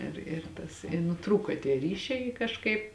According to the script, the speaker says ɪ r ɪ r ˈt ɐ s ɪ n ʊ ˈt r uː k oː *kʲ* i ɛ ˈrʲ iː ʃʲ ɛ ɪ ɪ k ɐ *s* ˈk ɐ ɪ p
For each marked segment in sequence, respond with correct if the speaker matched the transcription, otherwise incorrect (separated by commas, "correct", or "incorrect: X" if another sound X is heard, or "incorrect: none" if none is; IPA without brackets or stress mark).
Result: incorrect: tʲ, incorrect: ʃ